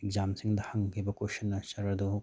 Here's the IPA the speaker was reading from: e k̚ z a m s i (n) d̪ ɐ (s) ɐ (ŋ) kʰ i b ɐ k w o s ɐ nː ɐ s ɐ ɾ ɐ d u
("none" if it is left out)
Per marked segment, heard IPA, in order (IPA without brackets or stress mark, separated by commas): ŋ, h, ŋ